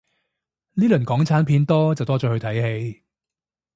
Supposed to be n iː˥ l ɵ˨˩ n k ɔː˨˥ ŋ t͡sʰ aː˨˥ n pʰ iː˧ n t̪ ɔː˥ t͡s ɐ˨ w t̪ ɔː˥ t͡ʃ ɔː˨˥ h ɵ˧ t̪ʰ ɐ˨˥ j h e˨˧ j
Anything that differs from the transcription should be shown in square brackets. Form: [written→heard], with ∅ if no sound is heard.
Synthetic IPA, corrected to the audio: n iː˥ l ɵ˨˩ n k ɔː˨˥ ŋ t͡sʰ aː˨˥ n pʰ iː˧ n t̪ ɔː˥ t͡s ɐ˨ w t̪ ɔː˥ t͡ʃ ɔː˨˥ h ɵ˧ t̪ʰ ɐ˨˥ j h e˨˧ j